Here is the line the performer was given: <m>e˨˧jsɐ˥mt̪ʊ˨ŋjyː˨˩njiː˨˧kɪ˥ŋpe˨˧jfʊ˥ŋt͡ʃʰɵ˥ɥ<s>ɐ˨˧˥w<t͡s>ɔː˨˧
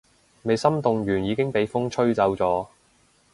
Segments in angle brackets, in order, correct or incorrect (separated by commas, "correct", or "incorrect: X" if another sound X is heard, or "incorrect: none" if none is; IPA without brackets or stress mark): correct, incorrect: t͡s, correct